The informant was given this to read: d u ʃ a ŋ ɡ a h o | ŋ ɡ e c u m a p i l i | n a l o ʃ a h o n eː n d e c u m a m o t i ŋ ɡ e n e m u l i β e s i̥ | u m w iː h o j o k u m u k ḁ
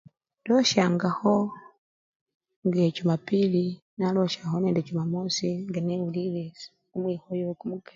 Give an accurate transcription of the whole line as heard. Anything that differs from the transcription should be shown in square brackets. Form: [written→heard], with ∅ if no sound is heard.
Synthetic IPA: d [u→o] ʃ a ŋ ɡ a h o | ŋ ɡ e c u m a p i l i | n a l o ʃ a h o n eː n d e c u m a m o [t→s] i ŋ ɡ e n e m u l i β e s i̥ | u m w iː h o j o k u m u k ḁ